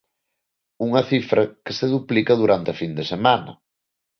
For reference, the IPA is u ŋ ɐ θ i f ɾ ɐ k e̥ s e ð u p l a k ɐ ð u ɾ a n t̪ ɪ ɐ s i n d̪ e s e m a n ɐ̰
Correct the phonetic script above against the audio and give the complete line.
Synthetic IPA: u ŋ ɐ θ i f ɾ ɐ k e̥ s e ð u p l i k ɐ ð u ɾ a n t̪ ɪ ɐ f i n d̪ e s e m a n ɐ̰